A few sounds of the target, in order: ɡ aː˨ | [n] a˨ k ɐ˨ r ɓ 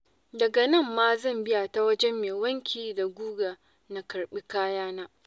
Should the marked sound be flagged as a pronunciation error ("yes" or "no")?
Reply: no